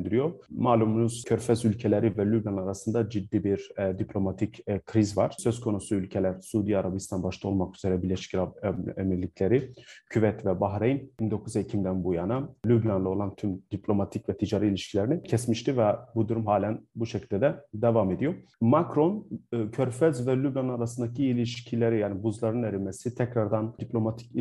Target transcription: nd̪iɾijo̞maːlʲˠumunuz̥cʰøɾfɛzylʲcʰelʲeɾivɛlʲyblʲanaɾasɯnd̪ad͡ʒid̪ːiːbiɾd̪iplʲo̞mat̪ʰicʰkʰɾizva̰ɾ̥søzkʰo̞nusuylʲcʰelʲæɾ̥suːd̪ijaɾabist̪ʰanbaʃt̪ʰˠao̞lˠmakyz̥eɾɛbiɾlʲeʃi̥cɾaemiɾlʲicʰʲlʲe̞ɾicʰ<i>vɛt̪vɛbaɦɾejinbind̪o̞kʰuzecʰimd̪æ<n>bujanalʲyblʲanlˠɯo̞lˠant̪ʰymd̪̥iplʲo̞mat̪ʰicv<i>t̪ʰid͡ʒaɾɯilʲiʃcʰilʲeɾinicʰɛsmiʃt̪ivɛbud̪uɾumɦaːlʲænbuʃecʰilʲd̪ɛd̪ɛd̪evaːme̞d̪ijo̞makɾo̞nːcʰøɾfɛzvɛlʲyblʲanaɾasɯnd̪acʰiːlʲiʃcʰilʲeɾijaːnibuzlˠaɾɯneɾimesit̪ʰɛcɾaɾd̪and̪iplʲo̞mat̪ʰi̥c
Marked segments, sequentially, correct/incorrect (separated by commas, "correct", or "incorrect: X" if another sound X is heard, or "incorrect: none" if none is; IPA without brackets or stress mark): incorrect: y, correct, incorrect: ɛ